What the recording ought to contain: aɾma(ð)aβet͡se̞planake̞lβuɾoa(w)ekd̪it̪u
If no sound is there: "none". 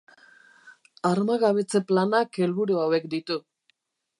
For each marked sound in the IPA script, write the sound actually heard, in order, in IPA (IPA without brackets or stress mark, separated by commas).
ɣ, w